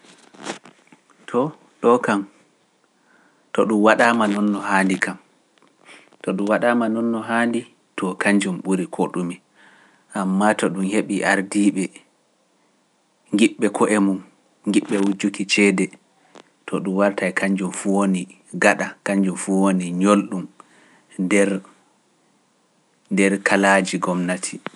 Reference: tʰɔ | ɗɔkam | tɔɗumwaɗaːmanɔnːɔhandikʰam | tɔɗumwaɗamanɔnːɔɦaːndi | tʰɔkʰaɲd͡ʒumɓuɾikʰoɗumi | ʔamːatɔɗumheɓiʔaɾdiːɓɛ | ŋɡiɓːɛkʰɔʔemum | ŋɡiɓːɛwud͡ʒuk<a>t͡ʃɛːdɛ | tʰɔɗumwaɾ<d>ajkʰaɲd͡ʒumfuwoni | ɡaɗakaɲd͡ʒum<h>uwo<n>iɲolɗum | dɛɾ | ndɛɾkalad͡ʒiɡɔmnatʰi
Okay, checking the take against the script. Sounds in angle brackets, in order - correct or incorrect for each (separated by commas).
incorrect, incorrect, incorrect, correct